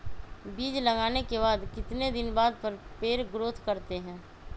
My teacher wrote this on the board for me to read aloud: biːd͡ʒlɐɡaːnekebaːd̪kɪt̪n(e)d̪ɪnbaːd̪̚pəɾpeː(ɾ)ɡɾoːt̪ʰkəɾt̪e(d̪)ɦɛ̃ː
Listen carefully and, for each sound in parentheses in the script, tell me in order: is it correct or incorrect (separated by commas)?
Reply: correct, correct, incorrect